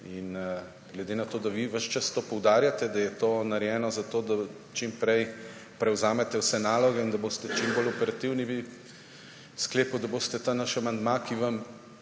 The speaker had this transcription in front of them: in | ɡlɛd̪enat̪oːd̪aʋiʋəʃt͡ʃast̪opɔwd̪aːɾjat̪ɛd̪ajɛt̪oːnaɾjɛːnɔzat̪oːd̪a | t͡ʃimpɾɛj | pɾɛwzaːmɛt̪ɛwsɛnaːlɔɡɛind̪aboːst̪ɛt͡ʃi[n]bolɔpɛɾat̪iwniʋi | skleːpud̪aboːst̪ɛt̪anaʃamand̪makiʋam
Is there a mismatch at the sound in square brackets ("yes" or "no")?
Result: yes